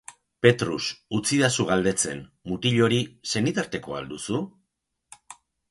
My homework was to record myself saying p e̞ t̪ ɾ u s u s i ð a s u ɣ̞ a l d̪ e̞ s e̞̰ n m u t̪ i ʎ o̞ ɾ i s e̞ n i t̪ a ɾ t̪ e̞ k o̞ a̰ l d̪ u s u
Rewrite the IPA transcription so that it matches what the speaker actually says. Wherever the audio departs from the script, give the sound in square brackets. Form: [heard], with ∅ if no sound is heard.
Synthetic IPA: p e̞ t̪ ɾ u s u [t͡s] i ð a s u ɣ̞ a l d̪ e̞ [t͡s] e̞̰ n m u t̪ i ʎ o̞ ɾ i s e̞ n i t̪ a ɾ t̪ e̞ k o̞ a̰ l d̪ u s u